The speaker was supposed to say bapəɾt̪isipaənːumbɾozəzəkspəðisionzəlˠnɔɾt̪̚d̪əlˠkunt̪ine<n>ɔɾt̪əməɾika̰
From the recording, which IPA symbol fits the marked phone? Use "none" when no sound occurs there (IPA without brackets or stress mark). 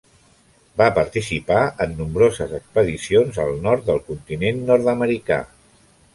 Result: nː